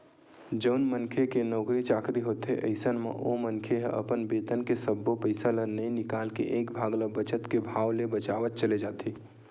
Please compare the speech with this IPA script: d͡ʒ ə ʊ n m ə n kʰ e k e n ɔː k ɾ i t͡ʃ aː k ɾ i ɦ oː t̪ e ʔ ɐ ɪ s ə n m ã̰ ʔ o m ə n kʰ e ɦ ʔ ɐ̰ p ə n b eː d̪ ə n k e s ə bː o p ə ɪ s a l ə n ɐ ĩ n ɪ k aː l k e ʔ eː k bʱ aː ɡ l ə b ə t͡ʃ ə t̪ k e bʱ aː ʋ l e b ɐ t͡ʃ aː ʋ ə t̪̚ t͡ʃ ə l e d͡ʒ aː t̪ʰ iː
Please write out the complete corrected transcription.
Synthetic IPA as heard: d͡ʒ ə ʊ n m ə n kʰ e k e n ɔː k ɾ i t͡ʃ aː k ɾ i ɦ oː t̪ e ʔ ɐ ɪ s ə n m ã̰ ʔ o m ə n kʰ e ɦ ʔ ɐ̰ p ə n b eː t̪ ə n k e s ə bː o p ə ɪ s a l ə n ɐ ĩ n ɪ k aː l k e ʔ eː k bʱ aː ɡ l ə b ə t͡ʃ ə t̪ k e bʱ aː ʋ l e b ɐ t͡ʃ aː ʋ ə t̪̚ t͡ʃ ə l e d͡ʒ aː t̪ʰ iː